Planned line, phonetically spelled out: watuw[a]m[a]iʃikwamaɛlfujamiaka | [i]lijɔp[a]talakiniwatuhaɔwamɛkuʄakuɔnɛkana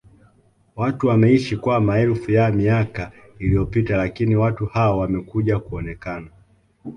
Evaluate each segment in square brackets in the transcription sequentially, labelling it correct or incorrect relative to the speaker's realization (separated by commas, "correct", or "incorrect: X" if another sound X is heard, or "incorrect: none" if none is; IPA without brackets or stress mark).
correct, incorrect: ɛ, correct, incorrect: i